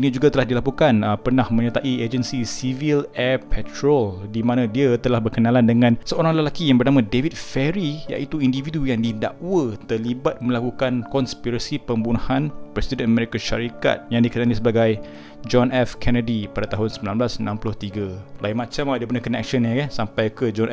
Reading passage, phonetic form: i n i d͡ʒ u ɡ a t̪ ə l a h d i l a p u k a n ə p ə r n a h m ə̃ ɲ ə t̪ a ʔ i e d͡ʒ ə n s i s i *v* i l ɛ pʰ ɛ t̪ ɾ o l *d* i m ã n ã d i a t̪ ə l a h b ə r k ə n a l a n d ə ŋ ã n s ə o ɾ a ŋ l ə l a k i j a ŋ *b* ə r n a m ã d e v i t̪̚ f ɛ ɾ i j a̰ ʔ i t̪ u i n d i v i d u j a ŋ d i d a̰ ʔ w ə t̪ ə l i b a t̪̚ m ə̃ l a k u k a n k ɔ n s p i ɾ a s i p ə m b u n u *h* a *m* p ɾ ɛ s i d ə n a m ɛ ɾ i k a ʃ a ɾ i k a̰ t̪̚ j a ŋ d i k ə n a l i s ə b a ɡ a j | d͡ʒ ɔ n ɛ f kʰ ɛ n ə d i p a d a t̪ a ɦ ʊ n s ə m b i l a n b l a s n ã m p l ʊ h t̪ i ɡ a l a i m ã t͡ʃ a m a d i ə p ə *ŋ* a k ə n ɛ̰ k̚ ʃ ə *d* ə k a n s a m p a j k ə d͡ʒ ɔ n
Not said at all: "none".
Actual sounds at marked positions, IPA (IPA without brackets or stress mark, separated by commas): v, d, b, h, n, n, n